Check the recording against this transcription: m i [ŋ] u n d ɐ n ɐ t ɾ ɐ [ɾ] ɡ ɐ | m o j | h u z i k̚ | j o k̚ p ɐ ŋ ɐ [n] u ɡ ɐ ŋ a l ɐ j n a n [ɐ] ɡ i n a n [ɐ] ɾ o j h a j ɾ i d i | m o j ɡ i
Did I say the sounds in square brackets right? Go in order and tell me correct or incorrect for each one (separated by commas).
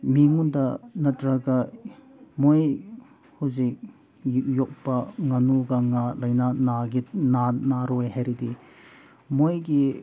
correct, incorrect, correct, incorrect, incorrect